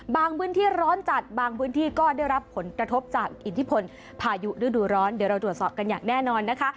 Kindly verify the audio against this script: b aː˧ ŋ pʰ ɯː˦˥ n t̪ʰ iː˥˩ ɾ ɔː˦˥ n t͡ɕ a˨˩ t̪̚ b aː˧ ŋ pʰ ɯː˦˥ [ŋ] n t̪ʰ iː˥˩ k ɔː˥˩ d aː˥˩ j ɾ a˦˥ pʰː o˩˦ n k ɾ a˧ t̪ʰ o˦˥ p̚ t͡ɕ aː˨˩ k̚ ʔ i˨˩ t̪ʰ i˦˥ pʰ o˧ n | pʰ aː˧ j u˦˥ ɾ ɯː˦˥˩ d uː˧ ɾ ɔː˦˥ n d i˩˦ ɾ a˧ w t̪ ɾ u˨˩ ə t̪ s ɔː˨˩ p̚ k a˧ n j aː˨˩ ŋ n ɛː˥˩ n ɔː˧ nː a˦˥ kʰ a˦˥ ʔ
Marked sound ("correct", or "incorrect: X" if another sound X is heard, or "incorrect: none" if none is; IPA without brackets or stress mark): incorrect: none